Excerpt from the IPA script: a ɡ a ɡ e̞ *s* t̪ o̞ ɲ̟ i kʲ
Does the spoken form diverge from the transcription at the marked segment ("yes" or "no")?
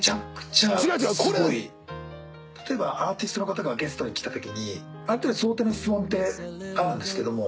no